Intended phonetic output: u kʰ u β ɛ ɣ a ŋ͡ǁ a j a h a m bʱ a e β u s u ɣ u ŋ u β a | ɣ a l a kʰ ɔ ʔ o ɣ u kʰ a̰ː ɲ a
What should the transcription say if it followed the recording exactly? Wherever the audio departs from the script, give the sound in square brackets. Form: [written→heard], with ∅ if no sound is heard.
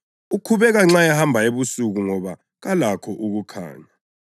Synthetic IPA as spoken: u kʰ u β ɛ ɣ a ŋ͡ǁ a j a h a m bʱ a e β u s u ɣ u ŋ [u→ɔ] β a | ɣ a l a kʰ ɔ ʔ [o→u] ɣ u kʰ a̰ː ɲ a